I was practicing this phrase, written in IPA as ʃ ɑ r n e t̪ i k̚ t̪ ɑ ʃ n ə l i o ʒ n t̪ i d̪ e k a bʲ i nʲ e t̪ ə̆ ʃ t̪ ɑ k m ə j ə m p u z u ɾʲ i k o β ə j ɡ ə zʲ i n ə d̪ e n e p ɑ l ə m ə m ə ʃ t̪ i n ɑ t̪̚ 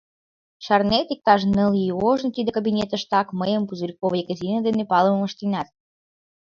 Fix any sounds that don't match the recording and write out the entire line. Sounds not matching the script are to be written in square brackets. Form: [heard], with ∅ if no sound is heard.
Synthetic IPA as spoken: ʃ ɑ r n e t̪ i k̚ t̪ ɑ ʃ n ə l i o ʒ n t̪ i d̪ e k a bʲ i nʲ e t̪ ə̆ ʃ t̪ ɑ k m ə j ə m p u z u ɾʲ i k o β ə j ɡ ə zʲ i n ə d̪ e n e p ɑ l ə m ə m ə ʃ t̪ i n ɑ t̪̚